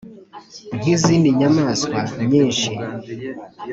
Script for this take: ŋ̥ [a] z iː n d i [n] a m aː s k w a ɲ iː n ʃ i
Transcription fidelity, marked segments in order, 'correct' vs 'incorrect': incorrect, incorrect

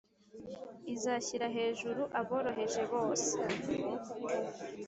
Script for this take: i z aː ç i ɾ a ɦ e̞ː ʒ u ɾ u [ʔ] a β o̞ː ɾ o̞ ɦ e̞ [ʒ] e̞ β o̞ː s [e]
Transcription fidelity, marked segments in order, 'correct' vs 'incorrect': correct, correct, correct

